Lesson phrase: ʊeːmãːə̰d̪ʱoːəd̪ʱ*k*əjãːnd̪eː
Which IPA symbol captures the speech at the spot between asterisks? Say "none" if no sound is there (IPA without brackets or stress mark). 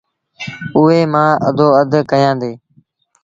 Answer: k